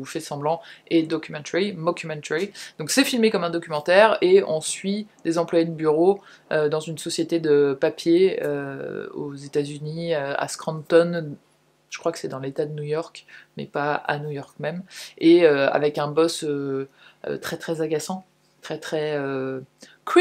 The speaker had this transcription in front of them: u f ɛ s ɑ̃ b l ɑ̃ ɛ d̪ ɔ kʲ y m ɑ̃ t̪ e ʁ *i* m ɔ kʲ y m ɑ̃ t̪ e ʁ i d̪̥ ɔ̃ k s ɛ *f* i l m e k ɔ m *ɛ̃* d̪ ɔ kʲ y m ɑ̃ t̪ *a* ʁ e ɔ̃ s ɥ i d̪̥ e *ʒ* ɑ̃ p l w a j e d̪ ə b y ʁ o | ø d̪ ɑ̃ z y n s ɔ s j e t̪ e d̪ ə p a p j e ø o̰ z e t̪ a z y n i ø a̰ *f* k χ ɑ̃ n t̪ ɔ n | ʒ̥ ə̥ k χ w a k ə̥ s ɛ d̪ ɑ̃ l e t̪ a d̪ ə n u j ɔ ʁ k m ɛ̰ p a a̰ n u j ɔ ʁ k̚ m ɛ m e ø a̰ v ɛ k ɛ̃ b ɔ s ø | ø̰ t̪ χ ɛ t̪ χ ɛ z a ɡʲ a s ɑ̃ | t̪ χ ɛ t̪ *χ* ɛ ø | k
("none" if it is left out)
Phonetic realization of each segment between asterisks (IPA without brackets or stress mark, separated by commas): i, f, ɛ̃, ɛ, z, s, χ